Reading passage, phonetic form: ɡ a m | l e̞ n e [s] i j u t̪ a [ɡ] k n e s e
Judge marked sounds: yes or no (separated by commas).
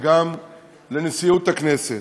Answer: yes, no